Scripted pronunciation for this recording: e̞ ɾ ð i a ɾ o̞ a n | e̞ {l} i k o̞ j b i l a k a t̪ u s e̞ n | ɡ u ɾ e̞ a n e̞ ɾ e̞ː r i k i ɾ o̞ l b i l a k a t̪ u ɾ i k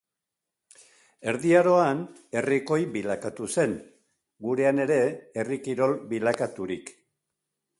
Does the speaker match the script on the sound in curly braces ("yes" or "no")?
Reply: no